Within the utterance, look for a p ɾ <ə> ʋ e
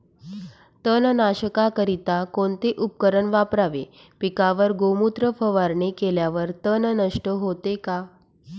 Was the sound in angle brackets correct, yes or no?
no